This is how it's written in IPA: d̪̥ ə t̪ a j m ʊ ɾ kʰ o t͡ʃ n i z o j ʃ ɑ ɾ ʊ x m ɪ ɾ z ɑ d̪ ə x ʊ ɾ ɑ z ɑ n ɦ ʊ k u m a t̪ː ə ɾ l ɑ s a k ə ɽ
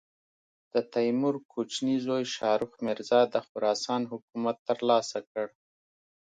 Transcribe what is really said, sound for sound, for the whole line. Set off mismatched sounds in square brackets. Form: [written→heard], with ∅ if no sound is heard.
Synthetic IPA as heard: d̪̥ ə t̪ a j m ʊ ɾ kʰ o t͡ʃ n i z o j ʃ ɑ ɾ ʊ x m ɪ ɾ z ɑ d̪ ə x ʊ ɾ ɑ [z→s] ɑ n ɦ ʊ k u m a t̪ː ə ɾ l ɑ s a k ə ɽ